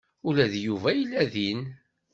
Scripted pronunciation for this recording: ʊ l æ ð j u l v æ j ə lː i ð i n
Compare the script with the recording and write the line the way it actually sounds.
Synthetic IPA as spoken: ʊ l æ ð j u v æ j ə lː æ ð i n